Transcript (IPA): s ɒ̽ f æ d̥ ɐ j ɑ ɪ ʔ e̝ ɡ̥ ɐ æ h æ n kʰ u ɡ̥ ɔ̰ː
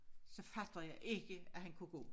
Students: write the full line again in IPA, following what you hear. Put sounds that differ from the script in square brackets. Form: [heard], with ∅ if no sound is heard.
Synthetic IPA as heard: s ɒ̽ f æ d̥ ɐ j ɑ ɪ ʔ e̝ ɡ̥ [ə] æ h æ n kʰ u ɡ̥ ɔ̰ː